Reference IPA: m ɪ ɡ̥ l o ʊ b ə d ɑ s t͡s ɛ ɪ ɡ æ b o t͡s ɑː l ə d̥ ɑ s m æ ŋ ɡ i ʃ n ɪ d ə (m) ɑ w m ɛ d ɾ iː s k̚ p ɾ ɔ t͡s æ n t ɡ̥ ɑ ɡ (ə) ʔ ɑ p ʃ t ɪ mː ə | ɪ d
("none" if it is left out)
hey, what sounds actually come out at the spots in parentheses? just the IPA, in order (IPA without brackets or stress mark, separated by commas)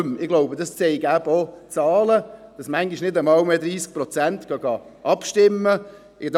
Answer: m, ɑ